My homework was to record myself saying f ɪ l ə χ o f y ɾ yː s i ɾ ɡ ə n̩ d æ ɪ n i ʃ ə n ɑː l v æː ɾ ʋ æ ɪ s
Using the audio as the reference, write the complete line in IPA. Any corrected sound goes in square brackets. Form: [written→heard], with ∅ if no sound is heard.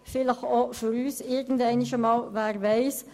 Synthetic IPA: f ɪ l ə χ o f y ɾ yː s [i→ɪ] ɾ ɡ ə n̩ d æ ɪ n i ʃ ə [n→m] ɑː l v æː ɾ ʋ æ ɪ s